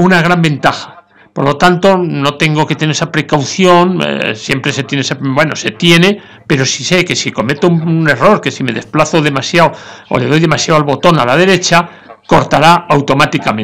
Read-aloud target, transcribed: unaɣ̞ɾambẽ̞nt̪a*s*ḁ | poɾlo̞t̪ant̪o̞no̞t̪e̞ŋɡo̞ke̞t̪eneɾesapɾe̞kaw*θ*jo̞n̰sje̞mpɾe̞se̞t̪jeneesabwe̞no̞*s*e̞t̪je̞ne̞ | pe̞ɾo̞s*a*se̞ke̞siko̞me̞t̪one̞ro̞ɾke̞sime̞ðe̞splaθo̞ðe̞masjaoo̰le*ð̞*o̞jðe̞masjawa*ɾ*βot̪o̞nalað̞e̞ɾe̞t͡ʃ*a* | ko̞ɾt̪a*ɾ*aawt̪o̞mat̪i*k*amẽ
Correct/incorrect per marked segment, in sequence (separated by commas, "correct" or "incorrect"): incorrect, correct, correct, incorrect, correct, incorrect, correct, correct, correct